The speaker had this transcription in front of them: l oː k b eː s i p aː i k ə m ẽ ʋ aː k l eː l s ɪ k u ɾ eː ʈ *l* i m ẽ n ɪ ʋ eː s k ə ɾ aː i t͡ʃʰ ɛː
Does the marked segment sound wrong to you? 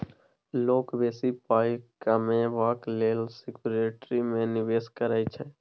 yes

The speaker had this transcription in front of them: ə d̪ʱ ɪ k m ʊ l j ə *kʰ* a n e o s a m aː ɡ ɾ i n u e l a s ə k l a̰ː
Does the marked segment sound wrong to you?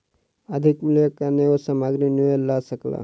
yes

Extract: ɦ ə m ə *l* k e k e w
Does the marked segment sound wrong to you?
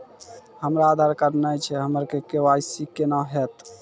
yes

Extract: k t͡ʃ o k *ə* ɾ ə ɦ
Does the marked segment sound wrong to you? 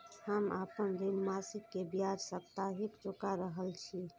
yes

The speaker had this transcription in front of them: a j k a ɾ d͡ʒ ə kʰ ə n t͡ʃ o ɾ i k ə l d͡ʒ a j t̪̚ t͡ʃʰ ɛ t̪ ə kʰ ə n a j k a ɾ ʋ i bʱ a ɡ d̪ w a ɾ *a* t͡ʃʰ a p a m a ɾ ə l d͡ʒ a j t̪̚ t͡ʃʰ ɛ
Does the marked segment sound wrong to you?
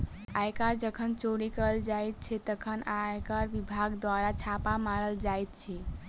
no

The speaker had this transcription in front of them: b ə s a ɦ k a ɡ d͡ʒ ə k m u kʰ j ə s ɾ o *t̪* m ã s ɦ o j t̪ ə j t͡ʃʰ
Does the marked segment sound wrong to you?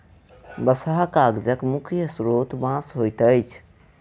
no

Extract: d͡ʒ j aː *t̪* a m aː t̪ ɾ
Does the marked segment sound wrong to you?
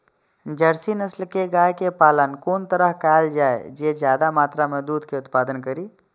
yes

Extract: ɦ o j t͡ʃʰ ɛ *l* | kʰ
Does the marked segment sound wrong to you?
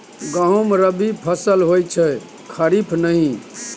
yes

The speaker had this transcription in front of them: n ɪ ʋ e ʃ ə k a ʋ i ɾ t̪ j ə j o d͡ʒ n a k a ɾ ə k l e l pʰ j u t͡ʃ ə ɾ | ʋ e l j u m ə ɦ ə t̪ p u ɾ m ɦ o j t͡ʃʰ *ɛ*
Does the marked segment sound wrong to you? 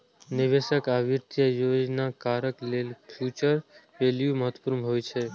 yes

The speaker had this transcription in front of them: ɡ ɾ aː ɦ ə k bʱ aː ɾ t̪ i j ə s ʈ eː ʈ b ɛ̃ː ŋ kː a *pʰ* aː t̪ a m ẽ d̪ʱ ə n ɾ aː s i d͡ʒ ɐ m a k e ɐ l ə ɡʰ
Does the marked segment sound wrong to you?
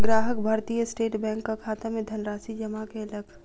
yes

